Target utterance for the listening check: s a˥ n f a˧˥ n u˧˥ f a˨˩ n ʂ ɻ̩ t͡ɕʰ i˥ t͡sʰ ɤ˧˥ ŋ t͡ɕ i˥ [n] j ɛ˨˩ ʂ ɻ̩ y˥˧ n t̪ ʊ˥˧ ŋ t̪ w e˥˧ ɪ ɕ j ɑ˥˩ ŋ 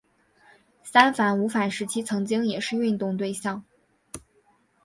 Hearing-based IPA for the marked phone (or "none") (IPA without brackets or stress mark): ŋ